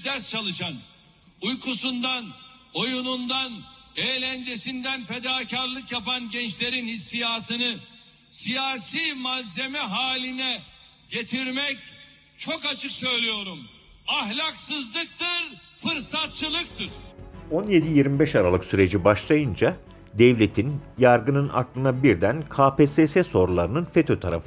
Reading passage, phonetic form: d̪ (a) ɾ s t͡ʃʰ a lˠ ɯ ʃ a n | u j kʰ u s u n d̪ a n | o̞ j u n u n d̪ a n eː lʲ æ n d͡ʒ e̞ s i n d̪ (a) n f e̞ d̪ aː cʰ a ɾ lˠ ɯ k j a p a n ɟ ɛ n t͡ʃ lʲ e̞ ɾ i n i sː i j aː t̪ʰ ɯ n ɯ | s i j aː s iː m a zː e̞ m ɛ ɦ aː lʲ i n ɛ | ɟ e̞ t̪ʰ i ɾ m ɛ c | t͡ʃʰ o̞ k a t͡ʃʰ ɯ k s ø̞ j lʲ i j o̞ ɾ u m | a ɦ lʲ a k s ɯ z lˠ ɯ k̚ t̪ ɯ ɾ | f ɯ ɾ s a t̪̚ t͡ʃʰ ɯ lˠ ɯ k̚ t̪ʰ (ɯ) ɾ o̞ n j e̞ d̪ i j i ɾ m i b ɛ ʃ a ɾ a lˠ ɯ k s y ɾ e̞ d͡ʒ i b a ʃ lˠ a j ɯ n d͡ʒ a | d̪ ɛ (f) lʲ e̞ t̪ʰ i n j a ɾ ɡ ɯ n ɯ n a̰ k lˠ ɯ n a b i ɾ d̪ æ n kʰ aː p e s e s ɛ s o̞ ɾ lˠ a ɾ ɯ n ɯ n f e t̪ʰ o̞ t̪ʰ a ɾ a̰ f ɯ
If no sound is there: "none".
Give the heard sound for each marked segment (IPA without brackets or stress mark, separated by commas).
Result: æ, æ, ɯ, v